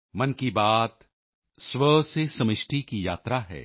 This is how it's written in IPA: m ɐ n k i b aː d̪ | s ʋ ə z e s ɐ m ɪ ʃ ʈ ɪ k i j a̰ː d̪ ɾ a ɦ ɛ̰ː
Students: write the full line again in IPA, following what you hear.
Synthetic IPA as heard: m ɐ n k i b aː t̪ | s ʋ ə s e s ɐ m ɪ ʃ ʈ i k i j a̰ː t̪ ɾ a ɦ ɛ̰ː